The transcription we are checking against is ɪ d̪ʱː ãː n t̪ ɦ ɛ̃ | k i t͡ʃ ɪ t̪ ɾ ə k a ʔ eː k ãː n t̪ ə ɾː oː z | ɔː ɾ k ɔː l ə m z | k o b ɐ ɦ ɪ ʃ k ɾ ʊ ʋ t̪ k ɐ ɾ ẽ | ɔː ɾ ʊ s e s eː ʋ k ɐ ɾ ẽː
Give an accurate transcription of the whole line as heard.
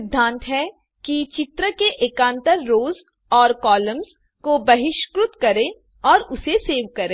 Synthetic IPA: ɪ d̪ʱː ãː n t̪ ɦ ɛ | k i t͡ʃ ɪ t̪ ɾ ə k e ʔ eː k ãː n t̪ ə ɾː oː z | ɔː ɾ k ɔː l ə m z | k o b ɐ ɦ ɪ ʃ k ɾ ʊ t̪ k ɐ ɾ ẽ | ɔː ɾ ʊ s e s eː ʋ k ɐ ɾ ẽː